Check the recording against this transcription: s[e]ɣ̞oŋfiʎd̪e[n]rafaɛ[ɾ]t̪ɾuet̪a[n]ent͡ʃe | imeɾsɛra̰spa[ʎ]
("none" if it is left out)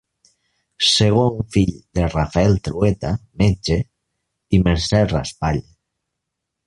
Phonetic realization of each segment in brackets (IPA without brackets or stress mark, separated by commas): e, none, l, m, ʎ